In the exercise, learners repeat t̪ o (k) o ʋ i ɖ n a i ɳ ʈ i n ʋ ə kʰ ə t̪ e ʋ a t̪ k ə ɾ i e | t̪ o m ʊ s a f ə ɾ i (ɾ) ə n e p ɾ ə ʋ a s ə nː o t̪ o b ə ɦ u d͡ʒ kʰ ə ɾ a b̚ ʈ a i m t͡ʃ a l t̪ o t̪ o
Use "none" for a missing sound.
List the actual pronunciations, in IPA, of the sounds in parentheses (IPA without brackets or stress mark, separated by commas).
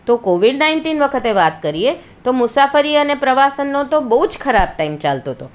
k, none